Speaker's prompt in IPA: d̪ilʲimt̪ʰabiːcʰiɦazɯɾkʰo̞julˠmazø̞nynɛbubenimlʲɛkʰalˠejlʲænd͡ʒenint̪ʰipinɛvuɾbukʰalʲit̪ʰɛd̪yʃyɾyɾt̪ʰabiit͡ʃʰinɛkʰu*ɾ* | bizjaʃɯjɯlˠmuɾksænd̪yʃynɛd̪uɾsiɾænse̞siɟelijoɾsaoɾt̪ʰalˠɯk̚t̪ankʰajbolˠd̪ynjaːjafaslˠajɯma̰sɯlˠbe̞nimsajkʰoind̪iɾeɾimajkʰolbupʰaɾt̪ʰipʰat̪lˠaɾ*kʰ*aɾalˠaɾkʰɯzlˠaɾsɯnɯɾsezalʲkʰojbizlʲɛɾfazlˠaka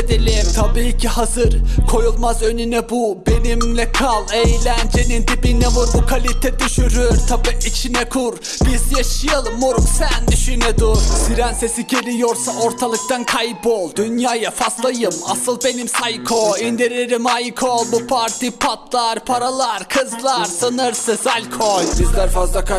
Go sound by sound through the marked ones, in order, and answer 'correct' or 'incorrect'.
correct, incorrect: pʰ

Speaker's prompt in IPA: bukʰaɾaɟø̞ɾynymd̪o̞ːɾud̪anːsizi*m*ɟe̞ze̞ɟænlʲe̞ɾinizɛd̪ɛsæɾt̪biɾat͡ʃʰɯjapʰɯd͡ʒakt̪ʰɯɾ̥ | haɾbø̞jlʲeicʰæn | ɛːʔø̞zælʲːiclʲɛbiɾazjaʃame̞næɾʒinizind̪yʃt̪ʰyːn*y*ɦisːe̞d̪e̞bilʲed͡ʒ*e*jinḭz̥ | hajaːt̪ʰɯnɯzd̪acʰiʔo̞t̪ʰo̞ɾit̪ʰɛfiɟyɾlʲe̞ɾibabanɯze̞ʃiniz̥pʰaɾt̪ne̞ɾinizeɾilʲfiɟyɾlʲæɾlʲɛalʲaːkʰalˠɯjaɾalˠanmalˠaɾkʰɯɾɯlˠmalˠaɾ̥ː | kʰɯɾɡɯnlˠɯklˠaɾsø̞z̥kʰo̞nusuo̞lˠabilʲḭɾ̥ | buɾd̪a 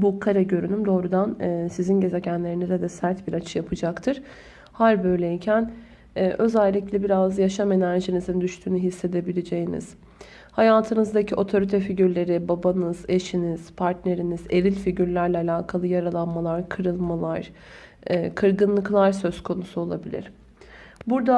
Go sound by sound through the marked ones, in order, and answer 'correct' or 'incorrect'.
incorrect: n, correct, correct

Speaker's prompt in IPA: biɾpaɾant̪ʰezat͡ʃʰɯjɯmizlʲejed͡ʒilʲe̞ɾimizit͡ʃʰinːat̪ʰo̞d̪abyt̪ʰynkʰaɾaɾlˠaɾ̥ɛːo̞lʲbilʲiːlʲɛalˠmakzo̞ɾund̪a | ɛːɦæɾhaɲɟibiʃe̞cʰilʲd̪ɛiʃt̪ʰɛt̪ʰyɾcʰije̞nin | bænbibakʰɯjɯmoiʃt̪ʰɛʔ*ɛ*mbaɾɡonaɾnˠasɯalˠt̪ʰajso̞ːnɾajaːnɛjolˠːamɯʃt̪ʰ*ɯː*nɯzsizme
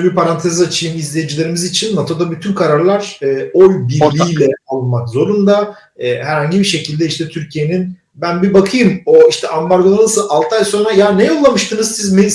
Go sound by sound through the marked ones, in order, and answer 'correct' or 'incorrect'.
incorrect: a, incorrect: ɯ

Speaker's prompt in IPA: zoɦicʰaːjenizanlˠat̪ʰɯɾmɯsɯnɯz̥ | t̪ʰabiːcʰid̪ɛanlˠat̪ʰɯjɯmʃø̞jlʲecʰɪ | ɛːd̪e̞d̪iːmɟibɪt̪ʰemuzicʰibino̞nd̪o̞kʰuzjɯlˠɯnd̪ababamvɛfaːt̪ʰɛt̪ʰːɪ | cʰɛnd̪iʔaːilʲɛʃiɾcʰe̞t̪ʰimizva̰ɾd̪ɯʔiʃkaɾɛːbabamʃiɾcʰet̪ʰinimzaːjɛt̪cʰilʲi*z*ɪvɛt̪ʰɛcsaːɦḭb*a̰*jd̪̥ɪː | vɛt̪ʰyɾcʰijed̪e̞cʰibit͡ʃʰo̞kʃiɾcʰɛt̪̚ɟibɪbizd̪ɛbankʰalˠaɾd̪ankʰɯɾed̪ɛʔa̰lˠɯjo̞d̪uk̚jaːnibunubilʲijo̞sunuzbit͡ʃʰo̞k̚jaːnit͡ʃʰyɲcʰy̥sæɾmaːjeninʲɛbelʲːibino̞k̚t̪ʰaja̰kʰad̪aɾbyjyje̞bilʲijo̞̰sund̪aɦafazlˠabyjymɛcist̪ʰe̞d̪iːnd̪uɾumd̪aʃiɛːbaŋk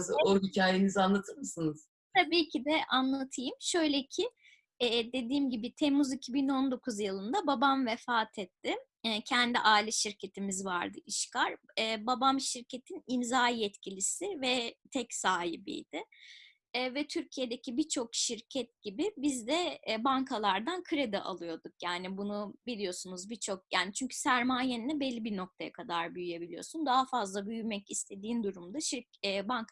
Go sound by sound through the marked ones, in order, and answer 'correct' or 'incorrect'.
incorrect: s, incorrect: ḭ

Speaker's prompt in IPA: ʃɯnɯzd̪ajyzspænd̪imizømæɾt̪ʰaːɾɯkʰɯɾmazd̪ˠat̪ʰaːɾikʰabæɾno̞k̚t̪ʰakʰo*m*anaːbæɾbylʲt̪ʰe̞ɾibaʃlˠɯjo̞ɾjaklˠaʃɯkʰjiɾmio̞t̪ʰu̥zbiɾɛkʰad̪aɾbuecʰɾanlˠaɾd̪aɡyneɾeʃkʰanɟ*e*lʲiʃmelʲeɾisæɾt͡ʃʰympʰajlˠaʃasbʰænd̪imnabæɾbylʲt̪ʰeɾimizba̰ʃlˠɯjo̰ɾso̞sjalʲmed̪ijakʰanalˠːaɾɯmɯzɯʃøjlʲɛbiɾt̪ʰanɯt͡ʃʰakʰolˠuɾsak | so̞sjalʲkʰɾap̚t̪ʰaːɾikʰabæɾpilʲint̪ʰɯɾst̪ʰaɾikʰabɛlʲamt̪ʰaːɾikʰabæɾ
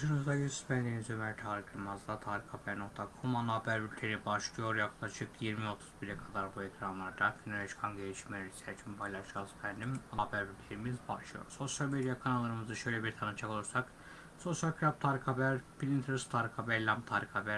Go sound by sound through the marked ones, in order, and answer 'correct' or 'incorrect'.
correct, correct

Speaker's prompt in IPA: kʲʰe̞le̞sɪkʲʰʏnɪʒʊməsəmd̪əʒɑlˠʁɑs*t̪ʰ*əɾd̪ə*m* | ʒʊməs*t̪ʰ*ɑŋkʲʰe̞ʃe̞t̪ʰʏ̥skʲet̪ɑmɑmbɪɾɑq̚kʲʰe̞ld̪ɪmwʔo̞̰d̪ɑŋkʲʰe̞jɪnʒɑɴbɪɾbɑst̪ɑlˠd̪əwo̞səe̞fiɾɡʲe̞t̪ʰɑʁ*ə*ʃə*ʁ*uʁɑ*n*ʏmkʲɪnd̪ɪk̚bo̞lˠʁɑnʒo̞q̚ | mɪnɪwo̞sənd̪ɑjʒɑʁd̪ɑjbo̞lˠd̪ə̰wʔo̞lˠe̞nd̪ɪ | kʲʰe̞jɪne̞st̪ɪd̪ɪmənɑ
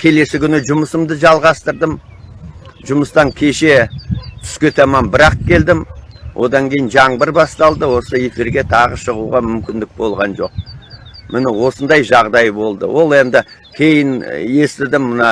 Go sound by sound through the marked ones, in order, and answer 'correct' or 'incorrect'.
incorrect: t̪, correct, incorrect: t̪, correct, correct, incorrect: m

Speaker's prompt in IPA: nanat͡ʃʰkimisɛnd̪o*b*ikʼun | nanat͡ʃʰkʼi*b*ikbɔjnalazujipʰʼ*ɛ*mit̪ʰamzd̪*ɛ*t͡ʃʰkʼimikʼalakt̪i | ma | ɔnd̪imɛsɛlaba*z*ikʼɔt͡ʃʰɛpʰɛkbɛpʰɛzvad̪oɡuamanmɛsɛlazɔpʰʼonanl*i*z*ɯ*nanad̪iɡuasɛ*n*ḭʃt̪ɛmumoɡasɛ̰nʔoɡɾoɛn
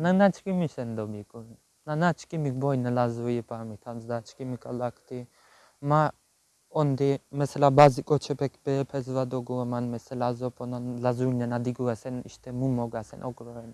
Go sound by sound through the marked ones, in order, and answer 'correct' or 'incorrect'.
correct, incorrect: m, incorrect: a, incorrect: a, correct, incorrect: a, incorrect: u, correct

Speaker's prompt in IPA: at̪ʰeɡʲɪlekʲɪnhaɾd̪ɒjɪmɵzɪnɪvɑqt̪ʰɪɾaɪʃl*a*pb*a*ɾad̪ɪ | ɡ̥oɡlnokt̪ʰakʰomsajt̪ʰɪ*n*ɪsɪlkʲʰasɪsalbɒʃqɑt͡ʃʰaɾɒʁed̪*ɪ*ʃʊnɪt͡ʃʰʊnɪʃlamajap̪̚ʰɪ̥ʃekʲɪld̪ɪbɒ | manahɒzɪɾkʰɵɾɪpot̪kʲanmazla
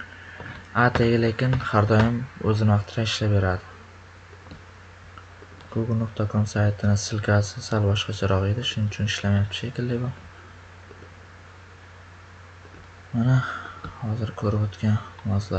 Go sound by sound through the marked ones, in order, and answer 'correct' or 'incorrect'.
correct, incorrect: e, correct, correct

